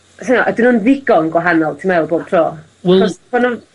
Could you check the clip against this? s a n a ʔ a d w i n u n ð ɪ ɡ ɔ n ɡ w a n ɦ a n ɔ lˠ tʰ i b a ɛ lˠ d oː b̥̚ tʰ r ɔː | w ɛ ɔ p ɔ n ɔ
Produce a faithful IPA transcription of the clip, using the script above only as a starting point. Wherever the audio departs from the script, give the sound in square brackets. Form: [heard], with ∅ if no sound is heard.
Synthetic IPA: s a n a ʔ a d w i n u n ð ɪ ɡ ɔ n ɡ w a [∅] ɦ a n ɔ lˠ tʰ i [m] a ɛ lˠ [b] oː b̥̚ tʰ r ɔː | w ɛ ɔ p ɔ n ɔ